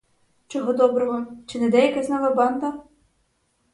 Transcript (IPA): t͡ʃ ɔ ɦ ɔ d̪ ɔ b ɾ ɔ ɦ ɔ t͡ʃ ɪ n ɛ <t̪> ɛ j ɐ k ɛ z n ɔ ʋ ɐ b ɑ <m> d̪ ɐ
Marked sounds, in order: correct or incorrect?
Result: incorrect, incorrect

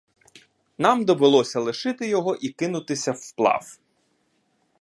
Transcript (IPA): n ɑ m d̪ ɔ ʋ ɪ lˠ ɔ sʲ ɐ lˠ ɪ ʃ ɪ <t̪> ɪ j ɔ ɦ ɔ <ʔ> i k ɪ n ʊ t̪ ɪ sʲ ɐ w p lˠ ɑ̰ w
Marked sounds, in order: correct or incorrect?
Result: correct, correct

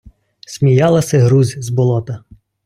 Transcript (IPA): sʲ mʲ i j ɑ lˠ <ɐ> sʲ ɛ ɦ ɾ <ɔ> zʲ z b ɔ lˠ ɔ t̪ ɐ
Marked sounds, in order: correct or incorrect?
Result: correct, incorrect

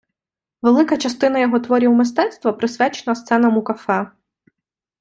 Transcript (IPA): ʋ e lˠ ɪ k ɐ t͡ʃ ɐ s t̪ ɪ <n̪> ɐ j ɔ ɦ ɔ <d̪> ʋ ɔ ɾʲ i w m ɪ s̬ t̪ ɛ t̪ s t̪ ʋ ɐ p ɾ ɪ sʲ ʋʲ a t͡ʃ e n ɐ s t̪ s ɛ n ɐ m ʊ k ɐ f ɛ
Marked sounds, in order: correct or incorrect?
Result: correct, incorrect

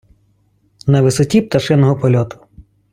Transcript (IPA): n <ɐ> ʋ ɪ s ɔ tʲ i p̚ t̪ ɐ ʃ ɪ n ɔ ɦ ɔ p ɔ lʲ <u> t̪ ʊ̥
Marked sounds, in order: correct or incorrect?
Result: correct, incorrect

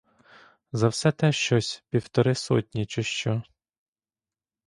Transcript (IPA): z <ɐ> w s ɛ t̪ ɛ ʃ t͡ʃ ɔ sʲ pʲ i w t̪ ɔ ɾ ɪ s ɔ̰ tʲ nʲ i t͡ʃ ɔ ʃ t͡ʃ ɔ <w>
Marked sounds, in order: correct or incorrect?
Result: correct, incorrect

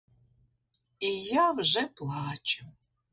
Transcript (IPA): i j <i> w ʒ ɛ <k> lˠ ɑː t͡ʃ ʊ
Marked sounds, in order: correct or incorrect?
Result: incorrect, incorrect

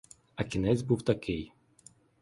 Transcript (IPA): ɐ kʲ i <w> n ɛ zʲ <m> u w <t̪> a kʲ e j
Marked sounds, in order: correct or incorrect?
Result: incorrect, incorrect, correct

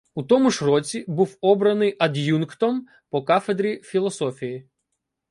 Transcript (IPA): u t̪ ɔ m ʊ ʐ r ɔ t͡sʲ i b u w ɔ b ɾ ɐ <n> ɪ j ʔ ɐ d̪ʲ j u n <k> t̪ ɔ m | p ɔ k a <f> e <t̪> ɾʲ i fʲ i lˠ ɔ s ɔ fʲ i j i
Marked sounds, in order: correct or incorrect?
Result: correct, correct, correct, incorrect

